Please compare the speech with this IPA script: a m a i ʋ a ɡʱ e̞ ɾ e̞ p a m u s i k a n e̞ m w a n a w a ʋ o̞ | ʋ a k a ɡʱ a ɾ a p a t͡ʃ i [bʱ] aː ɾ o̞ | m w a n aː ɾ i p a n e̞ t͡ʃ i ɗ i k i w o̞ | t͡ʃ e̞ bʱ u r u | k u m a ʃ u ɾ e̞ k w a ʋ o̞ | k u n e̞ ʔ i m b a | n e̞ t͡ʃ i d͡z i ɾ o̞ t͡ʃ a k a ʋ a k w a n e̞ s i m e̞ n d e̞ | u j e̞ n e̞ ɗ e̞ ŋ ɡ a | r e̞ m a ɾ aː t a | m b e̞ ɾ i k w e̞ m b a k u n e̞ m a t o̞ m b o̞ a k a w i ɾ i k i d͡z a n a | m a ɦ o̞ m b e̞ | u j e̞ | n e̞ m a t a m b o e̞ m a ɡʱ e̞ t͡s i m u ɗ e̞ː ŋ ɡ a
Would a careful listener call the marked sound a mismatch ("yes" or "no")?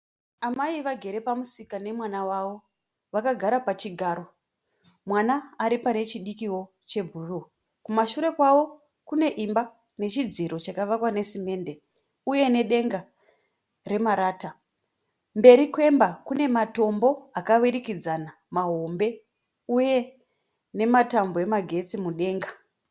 yes